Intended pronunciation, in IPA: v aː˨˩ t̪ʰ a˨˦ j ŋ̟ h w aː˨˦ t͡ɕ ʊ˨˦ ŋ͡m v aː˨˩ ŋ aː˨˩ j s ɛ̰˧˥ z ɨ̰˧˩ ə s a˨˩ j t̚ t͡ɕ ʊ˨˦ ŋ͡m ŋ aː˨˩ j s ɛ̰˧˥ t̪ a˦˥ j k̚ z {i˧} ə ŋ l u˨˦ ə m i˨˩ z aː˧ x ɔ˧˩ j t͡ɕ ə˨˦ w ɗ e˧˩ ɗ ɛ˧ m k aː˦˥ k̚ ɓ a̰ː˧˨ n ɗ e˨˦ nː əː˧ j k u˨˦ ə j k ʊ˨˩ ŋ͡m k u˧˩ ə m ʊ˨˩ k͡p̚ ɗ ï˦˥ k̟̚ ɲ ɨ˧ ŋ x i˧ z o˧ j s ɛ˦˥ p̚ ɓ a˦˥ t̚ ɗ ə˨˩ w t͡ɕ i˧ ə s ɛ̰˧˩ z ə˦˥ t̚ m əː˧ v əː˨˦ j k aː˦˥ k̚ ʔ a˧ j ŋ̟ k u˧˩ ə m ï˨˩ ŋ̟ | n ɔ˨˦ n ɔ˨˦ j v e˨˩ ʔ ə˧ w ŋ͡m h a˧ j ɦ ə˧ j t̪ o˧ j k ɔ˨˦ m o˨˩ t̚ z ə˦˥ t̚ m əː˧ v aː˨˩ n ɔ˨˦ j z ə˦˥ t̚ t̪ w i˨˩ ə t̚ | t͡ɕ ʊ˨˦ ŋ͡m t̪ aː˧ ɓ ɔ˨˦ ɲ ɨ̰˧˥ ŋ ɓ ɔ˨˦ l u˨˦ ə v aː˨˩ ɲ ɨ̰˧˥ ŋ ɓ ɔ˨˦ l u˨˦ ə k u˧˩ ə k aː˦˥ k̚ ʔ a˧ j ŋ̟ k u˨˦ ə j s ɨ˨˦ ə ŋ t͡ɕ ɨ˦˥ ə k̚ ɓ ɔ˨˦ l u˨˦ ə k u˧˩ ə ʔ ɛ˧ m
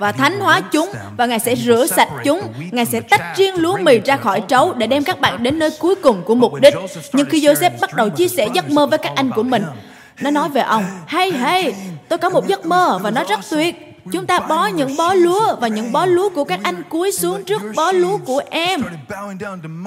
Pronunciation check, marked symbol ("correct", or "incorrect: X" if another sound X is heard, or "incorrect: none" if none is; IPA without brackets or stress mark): correct